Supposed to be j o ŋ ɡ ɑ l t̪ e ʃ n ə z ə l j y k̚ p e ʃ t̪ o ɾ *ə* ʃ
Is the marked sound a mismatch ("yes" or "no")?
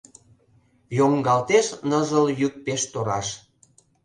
yes